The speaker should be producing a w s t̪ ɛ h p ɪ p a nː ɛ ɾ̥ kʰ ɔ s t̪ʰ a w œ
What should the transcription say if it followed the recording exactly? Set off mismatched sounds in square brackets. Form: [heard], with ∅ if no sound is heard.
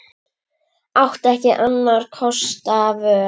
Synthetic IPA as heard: a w [h] t̪ ɛ h [c] ɪ [ʔ] a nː [a] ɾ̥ kʰ ɔ s [t̪] a [v] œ